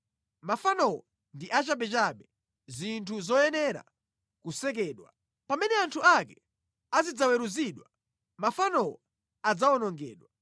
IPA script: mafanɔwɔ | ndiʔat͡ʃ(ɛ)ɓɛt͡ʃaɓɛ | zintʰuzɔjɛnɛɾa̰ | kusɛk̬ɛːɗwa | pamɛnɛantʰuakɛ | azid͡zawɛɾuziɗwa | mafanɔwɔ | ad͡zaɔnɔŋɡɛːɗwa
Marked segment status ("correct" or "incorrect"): incorrect